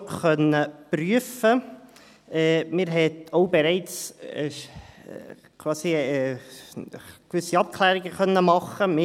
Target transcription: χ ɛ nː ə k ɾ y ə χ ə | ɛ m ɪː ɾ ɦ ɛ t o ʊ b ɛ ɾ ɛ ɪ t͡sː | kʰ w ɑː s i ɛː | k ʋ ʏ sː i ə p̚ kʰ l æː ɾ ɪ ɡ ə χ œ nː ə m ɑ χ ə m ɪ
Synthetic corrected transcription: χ œ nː ə p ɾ y ə f ə | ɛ m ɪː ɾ ɦ ɛ t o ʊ b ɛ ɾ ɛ ɪ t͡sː | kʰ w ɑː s i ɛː | k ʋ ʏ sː i ɑ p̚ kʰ l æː ɾ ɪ ɡ ə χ œ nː ə m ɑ χ ə m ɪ